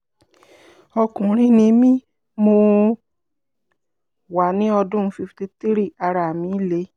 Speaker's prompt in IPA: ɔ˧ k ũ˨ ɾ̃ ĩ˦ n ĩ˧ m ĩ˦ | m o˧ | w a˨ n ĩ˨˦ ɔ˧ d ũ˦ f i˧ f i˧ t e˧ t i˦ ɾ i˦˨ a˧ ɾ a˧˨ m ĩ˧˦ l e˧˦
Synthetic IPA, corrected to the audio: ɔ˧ k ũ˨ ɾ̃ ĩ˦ n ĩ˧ m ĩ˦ | m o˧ | w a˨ n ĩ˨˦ ɔ˧ d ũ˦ f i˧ f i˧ t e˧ t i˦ ɾ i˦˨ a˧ ɾ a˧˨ m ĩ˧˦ l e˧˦